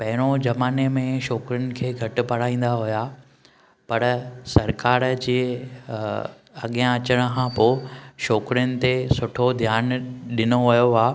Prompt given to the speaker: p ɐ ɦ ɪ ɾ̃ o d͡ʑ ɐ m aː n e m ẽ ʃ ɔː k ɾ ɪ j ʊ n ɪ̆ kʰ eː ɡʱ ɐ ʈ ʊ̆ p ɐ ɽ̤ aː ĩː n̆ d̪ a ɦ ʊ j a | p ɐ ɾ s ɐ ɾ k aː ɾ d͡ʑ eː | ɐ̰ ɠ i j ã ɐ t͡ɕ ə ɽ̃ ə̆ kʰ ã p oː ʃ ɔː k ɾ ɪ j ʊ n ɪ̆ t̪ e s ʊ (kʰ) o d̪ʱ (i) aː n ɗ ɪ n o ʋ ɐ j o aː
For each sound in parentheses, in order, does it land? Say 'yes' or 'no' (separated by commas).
no, no